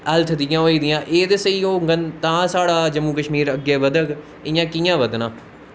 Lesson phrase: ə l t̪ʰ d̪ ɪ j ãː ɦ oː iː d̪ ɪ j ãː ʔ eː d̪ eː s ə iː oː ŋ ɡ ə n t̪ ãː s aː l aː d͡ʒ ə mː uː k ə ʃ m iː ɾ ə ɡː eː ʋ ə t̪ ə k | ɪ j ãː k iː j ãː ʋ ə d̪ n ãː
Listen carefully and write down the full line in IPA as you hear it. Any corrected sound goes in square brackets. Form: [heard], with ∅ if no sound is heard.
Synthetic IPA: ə l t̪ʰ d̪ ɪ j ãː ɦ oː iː d̪ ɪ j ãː ʔ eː d̪ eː s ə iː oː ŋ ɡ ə n t̪ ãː s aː [ɽ] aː d͡ʒ ə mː uː k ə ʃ m iː ɾ ə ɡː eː ʋ ə [d̪] ə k | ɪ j ãː k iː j ãː ʋ ə d̪ n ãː